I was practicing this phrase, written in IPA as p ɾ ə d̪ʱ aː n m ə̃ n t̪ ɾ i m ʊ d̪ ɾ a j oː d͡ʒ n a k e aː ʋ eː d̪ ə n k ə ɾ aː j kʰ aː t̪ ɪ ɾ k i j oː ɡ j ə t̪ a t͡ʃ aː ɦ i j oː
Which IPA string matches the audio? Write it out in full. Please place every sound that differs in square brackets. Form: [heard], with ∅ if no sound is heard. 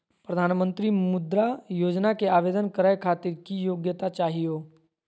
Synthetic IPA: p ɾ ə d̪ʱ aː n m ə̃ n t̪ ɾ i m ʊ d̪ ɾ a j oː d͡ʒ n a k e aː ʋ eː d̪ ə n k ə ɾ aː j kʰ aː t̪ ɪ ɾ k i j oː ɡ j ə t̪ a t͡ʃ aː ɦ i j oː